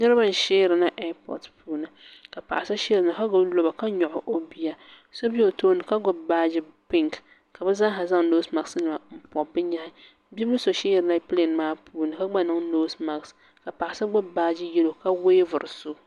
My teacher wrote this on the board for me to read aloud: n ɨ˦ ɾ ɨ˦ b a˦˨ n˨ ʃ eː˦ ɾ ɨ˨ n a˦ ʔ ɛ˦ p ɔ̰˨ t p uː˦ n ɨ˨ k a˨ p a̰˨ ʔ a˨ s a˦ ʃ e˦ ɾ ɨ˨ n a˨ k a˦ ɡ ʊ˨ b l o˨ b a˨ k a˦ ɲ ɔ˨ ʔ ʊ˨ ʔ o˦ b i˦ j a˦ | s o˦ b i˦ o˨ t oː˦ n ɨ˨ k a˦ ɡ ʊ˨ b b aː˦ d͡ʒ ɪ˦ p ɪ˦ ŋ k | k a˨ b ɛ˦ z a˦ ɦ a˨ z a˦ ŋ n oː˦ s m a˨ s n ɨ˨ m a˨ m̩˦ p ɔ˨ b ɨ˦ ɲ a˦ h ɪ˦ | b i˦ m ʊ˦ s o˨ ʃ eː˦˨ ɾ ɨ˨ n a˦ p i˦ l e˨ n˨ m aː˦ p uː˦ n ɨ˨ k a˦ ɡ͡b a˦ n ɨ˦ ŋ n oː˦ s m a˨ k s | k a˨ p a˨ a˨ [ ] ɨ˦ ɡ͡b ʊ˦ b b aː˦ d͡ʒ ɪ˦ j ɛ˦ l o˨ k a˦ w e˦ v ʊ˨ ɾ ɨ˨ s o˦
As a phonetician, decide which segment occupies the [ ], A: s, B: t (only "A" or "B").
A